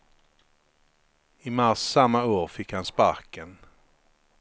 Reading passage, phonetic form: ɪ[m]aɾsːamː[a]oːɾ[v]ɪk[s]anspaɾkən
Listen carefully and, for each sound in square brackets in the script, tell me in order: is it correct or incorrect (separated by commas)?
correct, correct, incorrect, incorrect